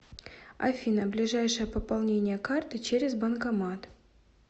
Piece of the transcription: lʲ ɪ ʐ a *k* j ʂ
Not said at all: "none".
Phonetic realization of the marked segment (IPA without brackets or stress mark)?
none